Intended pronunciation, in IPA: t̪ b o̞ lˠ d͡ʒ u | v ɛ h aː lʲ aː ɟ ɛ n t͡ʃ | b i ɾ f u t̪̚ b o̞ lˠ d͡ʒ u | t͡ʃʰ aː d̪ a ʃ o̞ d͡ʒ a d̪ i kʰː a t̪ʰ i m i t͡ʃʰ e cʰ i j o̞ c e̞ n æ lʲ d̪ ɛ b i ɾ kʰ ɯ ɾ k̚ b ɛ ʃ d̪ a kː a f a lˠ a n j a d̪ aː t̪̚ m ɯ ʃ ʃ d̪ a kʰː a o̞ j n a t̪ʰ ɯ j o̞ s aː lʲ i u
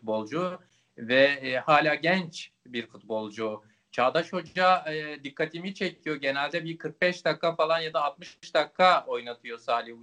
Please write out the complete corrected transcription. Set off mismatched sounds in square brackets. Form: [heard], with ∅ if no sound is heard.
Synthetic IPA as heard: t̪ b o̞ lˠ d͡ʒ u | v ɛ h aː lʲ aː ɟ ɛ n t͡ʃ | b i ɾ f u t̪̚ b o̞ lˠ d͡ʒ u | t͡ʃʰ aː d̪ a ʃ o̞ d͡ʒ a d̪ i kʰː a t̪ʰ i m i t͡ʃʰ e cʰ i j o̞ [ɟ] e̞ n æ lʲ d̪ ɛ b i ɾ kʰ ɯ ɾ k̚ b ɛ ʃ d̪ a kː a f a lˠ a n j a d̪ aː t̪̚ m ɯ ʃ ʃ d̪ a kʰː a o̞ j n a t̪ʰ ɯ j o̞ s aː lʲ i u